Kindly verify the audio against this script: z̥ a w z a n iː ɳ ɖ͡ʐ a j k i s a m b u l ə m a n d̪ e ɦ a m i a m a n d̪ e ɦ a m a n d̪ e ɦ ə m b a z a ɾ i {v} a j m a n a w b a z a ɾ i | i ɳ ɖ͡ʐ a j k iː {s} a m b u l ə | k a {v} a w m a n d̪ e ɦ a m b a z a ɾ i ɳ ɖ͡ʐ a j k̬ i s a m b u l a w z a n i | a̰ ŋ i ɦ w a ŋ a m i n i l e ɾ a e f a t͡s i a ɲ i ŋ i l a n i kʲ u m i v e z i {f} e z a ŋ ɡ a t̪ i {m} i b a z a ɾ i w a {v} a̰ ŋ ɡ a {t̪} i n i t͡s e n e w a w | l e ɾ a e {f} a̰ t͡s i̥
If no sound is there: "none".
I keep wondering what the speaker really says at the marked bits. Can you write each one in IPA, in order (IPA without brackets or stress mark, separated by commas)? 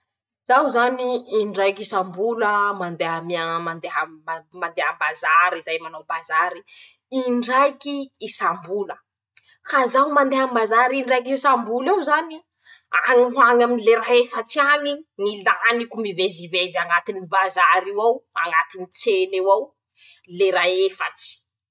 z, s, z, v, n, w, t̪, f